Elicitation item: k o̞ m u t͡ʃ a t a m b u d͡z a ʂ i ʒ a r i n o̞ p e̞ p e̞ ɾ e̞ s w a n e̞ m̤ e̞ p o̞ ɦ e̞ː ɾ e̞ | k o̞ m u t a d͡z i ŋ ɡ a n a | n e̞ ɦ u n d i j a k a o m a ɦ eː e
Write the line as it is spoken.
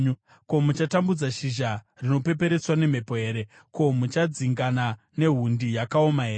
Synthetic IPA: k o̞ m u t͡ʃ a t a m b u d͡z a ʃ i ʒ a r i n o̞ p e̞ p e̞ ɾ e̞ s w a n e̞ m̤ e̞ p o̞ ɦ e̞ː ɾ e̞ | k o̞ m u t͡ʃ a d͡z i ŋ ɡ a n a | n e̞ ɦ u n d i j a k a o m a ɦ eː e